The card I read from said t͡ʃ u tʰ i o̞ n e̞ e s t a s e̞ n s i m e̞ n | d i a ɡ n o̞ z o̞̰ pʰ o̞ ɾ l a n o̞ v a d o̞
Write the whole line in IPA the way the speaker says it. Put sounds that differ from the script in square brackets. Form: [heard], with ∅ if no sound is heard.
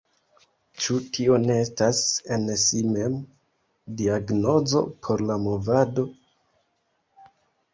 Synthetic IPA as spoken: t͡ʃ u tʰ i o̞ n e̞ e s t a s e̞ n s i m e̞ [m] | d i a ɡ n o̞ z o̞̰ pʰ o̞ ɾ l a [m] o̞ v a d o̞